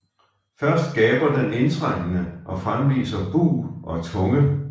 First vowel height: low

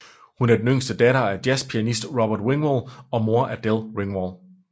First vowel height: high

